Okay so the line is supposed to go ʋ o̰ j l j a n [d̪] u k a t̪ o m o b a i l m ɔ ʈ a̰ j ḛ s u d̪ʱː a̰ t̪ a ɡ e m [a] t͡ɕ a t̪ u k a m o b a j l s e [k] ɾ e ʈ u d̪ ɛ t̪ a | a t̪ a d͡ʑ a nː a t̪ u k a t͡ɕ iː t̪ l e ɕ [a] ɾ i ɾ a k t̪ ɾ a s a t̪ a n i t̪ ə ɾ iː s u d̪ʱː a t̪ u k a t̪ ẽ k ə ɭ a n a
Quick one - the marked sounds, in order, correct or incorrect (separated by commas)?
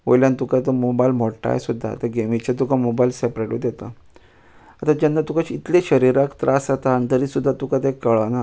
incorrect, incorrect, incorrect, incorrect